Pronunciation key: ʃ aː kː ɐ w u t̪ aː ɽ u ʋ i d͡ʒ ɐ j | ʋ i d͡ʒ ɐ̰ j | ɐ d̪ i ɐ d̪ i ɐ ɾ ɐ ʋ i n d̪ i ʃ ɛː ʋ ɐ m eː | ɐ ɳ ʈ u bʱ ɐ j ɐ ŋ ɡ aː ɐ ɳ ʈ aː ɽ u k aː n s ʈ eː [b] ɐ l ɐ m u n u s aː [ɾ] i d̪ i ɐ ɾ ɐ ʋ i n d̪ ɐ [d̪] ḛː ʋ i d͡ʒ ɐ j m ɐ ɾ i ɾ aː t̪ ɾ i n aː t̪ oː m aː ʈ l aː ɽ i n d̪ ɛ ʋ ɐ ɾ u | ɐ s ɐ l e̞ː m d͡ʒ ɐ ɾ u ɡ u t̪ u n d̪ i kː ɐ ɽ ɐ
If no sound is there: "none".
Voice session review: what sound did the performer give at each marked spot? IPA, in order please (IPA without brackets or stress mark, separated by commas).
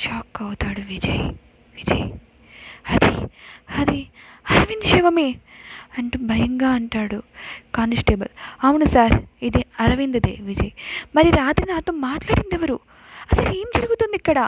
b, ɾ, d̪